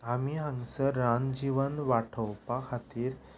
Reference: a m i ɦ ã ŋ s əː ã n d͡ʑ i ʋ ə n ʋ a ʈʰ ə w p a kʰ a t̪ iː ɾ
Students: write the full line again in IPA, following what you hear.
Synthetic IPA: a m i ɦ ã ŋ s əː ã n d͡ʑ i ʋ ə n ʋ a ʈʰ ə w p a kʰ a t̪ iː ɾ